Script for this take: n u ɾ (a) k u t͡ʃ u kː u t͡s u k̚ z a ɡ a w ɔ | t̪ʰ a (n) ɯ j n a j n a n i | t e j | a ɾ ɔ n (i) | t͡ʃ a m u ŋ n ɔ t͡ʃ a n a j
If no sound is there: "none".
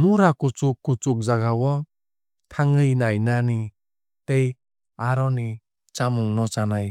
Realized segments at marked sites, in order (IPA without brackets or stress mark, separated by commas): a, ŋ, i